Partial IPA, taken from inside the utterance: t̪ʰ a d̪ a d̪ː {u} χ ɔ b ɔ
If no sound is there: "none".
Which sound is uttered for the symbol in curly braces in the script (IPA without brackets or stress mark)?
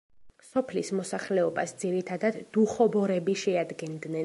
u